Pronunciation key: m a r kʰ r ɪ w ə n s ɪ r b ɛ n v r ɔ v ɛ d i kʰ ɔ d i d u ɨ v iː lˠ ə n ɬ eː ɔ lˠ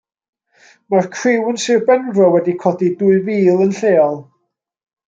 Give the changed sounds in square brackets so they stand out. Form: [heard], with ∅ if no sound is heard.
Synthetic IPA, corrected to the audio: m a r kʰ r ɪ w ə n s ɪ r b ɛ n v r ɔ [w] ɛ d i kʰ ɔ d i d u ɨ v iː lˠ ə n ɬ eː ɔ lˠ